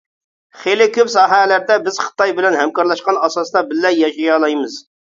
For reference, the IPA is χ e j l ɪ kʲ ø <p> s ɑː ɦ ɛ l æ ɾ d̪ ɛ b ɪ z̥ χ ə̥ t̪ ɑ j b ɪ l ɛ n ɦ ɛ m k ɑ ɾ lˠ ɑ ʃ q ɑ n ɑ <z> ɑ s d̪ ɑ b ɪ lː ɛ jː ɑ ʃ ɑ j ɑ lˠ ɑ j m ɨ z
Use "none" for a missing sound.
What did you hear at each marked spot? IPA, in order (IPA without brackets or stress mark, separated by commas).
p, s